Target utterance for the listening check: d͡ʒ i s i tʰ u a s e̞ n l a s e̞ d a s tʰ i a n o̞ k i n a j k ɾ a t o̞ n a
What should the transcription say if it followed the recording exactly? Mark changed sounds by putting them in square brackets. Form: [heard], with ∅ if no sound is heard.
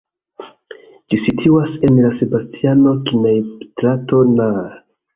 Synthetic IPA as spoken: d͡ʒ i s i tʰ u a s e̞ n l a s e̞ [b] a s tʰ i a n o̞ k i n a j [t] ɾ a t o̞ n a